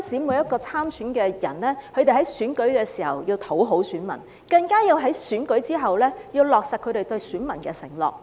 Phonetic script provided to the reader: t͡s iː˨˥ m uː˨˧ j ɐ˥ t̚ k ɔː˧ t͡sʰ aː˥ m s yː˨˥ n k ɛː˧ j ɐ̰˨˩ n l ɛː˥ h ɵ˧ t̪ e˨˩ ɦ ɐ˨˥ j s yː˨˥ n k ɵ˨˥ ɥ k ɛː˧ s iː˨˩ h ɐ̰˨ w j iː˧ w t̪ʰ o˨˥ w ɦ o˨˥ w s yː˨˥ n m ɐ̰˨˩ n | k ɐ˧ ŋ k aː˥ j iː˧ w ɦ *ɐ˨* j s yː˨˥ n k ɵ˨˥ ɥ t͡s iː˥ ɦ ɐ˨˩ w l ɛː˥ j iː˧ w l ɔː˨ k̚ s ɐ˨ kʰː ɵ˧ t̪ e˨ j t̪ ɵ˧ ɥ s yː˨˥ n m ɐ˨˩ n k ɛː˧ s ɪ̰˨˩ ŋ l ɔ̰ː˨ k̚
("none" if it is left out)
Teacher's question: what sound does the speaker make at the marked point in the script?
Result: ɐ˨˥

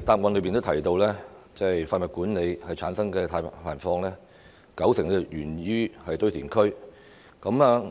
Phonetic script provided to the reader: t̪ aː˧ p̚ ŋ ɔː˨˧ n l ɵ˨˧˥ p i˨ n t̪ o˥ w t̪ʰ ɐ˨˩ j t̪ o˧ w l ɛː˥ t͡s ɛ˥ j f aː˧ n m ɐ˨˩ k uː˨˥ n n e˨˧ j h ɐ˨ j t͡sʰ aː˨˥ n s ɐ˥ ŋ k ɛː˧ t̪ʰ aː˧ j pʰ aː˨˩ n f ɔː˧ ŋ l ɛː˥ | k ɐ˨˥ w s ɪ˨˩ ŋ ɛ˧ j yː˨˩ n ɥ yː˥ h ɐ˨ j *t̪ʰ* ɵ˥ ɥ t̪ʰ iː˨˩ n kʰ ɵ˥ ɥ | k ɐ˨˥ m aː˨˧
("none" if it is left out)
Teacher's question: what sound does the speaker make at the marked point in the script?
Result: t̪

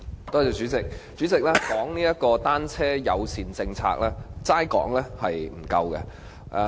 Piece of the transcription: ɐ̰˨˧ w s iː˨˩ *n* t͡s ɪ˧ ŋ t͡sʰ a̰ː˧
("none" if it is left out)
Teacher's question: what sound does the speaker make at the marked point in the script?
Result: n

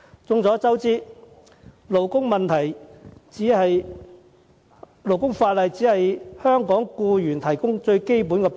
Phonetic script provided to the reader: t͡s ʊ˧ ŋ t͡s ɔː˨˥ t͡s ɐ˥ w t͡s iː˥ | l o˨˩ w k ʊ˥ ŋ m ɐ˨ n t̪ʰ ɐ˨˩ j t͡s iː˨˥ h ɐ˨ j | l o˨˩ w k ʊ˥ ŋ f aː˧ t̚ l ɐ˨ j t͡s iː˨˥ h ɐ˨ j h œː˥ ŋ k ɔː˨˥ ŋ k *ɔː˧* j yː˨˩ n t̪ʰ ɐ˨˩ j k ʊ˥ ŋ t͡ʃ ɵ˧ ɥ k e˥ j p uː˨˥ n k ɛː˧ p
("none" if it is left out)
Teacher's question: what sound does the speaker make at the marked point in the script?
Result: uː˧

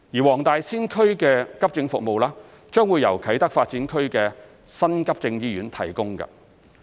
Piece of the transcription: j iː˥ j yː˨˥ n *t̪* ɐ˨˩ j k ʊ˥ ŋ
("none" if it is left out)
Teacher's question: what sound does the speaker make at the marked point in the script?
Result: t̪ʰ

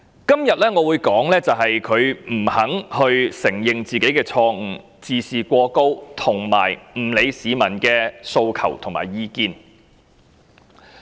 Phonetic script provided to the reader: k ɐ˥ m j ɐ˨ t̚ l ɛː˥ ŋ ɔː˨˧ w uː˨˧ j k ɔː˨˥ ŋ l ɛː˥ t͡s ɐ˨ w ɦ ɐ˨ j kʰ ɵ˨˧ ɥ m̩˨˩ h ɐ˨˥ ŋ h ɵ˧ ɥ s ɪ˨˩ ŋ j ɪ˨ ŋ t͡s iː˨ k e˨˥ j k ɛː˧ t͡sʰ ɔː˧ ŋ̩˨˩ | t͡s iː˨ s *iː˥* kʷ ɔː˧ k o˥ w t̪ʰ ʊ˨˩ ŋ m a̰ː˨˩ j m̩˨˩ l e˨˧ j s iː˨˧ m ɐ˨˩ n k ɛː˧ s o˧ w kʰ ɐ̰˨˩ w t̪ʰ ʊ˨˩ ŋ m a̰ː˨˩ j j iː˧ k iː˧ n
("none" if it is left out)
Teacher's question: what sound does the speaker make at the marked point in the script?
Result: iː˨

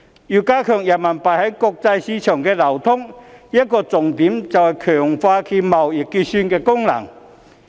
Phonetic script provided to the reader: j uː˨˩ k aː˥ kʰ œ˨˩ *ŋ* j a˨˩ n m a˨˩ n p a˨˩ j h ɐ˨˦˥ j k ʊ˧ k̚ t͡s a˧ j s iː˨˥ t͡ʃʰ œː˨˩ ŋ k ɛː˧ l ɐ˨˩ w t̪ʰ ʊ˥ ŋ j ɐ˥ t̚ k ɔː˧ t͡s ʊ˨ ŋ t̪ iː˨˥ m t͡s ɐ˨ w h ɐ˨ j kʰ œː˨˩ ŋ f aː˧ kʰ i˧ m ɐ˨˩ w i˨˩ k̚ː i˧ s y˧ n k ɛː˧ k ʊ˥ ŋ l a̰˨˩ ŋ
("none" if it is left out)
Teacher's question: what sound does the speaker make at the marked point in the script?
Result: ŋ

